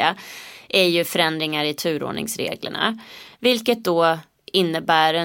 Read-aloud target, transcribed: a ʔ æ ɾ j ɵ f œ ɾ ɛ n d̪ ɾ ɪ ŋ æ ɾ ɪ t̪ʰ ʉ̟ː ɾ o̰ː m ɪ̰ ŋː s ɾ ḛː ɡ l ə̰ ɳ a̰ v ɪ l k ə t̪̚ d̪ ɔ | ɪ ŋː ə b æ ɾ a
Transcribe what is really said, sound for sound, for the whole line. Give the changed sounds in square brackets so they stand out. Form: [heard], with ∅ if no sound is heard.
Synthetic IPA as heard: a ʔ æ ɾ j ɵ f œ ɾ ɛ n d̪ ɾ ɪ ŋ [a] ɾ ɪ t̪ʰ ʉ̟ː ɾ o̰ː [ɳ] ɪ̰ [ŋ] s ɾ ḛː ɡ l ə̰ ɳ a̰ v ɪ l k ə t̪̚ d̪ ɔ | ɪ [nː] ə b [æː] ɾ [ɛ]